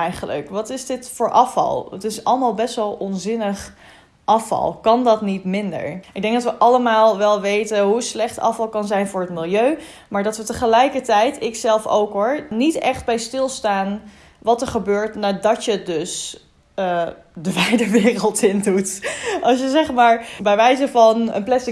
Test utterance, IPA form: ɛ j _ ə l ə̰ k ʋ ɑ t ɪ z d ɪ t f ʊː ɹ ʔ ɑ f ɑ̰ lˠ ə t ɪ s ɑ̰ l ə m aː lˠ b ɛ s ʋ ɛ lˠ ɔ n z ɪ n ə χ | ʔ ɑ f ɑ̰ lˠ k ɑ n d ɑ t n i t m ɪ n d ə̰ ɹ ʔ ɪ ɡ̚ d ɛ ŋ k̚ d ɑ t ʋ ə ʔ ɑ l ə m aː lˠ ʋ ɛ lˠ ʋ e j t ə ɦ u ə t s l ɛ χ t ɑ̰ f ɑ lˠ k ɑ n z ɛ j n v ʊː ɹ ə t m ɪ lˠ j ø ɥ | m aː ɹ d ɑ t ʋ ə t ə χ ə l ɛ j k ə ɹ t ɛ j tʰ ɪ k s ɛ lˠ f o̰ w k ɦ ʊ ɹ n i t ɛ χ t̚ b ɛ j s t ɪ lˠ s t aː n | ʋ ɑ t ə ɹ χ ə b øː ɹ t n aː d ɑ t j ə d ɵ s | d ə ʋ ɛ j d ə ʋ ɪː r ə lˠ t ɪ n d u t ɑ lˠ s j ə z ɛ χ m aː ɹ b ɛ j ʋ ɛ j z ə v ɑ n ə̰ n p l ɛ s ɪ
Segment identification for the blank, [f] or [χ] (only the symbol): χ